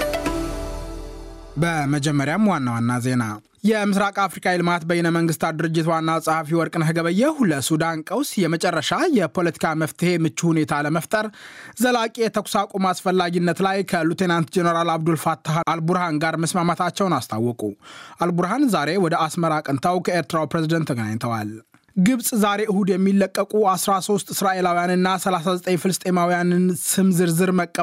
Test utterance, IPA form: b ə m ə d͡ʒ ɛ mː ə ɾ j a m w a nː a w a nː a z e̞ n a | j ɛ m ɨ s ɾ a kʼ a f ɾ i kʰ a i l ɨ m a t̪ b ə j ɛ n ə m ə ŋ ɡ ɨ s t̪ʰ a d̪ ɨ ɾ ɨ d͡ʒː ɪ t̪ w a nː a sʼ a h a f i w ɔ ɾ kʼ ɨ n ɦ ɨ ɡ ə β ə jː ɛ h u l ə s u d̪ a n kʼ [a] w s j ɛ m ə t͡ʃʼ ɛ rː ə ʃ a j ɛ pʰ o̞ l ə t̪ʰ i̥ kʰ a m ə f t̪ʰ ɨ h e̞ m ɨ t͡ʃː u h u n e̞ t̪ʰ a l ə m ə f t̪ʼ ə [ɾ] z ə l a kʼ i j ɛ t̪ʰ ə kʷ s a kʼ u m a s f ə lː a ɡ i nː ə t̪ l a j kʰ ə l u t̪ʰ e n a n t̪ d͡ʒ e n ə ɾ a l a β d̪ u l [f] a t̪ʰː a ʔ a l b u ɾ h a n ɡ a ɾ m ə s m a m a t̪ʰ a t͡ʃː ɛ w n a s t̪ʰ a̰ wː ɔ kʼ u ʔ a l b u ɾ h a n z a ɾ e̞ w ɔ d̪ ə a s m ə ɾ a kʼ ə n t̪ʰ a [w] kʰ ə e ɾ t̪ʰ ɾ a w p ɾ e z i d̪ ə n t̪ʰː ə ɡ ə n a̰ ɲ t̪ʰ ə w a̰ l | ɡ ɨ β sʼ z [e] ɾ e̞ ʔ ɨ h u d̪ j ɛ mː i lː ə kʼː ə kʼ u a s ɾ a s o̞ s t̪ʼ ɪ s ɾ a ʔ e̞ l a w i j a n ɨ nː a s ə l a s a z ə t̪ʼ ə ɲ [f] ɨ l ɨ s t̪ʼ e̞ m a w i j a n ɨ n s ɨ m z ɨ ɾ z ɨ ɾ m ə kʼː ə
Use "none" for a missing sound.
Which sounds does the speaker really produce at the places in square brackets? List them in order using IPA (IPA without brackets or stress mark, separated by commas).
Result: ə, ɾ, f, w, a, f